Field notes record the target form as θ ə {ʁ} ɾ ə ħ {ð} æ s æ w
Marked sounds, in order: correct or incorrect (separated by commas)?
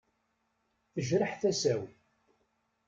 incorrect, incorrect